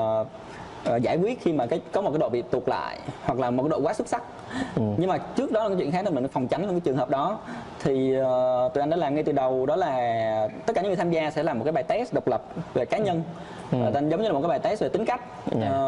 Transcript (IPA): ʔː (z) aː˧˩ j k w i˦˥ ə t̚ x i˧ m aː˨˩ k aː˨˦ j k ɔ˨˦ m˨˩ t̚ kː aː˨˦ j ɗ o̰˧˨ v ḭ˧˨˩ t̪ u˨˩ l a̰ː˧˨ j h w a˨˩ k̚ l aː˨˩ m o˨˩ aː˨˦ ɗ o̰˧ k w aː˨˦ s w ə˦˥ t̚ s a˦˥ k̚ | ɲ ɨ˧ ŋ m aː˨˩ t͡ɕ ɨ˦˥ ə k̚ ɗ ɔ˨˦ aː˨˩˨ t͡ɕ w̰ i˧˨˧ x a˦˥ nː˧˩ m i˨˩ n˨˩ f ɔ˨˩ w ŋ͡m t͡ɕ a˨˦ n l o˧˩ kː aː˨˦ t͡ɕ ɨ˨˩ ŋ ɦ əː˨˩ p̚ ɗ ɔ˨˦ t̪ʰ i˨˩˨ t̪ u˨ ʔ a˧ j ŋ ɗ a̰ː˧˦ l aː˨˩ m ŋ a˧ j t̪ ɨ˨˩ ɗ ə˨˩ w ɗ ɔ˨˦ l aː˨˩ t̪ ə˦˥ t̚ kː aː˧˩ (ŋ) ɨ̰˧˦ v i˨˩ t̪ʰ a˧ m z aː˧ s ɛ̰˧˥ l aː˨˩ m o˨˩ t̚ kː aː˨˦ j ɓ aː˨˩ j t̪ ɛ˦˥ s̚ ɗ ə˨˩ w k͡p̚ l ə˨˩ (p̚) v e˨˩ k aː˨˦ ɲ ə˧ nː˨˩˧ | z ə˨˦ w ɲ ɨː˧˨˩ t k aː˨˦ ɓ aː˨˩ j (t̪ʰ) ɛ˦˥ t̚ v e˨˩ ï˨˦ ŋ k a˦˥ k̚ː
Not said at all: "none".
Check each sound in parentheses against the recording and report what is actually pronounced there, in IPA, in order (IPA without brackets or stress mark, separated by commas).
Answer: z, ɲ, p̚, t̪